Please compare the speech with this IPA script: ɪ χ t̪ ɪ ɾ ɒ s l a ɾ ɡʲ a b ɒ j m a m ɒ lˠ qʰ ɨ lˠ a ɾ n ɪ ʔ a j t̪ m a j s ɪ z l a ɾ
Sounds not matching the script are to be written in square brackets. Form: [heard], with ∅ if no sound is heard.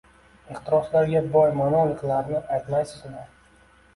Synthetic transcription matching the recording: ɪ χ t̪ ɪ ɾ ɒ s l a ɾ ɡʲ a b ɒ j m a [n] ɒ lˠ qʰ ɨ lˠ a ɾ n ɪ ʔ a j t̪ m a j s ɪ z l a ɾ